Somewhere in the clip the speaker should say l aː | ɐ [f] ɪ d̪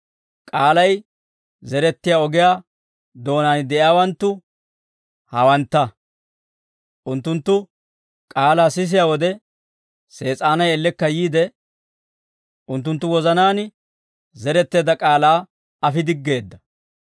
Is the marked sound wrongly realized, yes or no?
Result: no